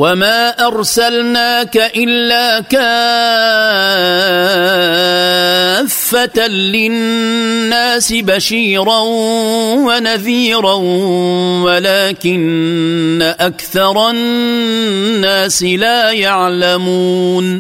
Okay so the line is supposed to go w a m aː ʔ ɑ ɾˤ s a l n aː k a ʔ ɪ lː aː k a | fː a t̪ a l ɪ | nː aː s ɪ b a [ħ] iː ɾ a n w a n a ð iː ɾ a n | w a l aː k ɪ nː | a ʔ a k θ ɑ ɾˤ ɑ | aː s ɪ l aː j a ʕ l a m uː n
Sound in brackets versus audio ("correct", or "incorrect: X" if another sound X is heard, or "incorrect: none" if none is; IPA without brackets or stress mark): incorrect: ʃ